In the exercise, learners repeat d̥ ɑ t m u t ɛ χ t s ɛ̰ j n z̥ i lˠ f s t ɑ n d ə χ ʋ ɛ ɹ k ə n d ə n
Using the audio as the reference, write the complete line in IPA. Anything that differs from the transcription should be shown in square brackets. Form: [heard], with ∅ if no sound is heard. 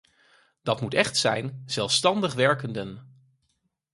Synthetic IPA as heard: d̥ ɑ t m u t ɛ χ t s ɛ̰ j n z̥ [ɛ] lˠ f s t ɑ n d ə χ ʋ ɛ ɹ k ə n d ə n